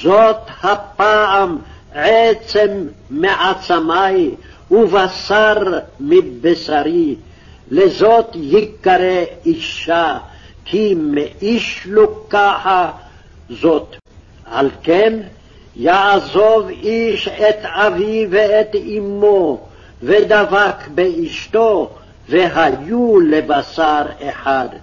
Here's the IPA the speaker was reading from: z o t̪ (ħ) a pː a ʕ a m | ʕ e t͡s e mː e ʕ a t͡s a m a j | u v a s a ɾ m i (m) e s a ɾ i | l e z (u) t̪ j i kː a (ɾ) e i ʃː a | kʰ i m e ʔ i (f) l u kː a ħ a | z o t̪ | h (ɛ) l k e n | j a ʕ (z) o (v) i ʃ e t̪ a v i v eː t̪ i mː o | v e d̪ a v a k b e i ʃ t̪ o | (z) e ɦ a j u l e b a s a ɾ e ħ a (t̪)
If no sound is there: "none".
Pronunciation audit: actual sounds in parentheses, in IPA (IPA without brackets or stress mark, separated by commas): h, b, o, ɾ, ʃ, a, z, v, v, d̪